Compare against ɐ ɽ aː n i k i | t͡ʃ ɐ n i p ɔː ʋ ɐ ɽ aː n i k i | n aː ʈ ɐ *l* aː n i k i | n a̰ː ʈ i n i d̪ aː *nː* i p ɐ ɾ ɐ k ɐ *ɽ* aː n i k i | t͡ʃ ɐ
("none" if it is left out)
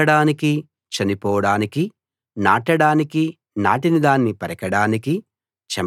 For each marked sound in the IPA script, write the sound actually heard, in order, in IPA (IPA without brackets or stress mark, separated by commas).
ɽ, nː, ɽ